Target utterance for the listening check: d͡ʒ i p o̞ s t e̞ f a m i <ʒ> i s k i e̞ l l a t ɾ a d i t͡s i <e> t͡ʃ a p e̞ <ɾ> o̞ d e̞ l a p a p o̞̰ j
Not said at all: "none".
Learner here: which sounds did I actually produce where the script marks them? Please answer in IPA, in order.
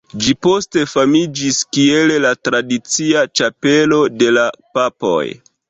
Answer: d͡ʒ, a, l

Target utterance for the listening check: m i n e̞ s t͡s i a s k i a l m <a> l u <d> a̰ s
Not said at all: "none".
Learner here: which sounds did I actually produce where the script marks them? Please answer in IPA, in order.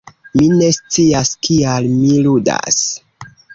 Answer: i, d

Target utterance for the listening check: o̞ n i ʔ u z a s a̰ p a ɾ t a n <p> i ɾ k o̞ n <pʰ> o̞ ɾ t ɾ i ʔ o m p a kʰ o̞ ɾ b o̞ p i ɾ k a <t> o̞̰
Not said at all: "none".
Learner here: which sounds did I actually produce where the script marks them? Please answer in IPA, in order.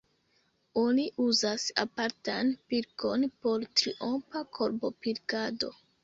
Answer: p, p, d

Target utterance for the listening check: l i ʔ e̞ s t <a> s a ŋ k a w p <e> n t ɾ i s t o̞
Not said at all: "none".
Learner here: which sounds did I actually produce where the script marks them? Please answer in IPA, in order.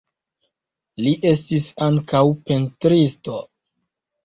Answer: i, e

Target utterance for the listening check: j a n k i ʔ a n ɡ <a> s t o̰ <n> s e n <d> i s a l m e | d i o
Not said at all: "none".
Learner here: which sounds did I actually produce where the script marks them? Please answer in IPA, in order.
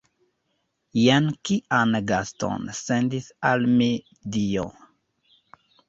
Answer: a, n, d

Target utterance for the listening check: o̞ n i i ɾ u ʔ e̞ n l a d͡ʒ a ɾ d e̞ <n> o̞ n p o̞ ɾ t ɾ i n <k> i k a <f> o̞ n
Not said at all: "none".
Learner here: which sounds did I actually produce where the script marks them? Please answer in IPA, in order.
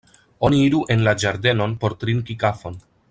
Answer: n, k, f

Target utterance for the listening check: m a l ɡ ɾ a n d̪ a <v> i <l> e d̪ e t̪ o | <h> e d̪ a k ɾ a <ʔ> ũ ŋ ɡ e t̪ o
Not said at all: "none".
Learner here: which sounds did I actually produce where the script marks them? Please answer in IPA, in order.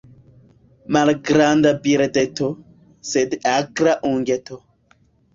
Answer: b, ɾ, s, ʔ

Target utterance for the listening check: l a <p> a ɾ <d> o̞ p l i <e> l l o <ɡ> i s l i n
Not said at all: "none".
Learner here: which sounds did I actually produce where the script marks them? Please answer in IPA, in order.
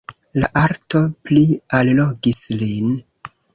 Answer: ʔ, t, a, ɡ

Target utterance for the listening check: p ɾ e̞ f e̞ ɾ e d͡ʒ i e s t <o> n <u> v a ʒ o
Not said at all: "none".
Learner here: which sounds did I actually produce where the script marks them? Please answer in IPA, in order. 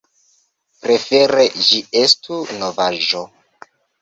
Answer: u, o

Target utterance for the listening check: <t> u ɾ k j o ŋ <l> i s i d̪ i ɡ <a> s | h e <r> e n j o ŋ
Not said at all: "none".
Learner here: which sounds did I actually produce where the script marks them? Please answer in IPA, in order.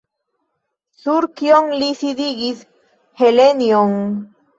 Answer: s, l, i, l

